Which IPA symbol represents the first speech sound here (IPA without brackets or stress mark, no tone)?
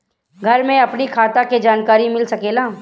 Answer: ɡʱ